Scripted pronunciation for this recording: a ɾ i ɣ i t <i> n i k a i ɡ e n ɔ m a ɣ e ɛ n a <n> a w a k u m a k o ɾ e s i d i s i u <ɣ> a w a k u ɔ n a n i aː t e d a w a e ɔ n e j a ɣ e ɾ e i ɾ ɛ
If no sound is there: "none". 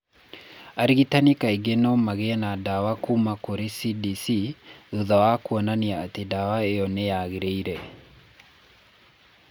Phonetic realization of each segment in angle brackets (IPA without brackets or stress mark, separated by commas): a, d, ð